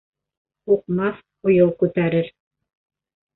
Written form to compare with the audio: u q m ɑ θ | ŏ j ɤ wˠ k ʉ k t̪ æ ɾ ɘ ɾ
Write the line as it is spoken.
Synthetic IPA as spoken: u q m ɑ θ | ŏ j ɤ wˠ k ʉ t̪ æ ɾ ɘ ɾ